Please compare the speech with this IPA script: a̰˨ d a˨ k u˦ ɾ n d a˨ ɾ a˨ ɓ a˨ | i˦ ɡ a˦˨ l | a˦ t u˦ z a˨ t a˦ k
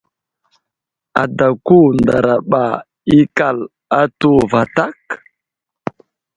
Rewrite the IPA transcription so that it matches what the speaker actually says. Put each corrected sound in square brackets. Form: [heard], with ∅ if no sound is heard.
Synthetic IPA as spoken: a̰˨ d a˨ k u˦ [∅] n d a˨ ɾ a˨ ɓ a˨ | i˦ [k] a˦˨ l | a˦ t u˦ [v] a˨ t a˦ k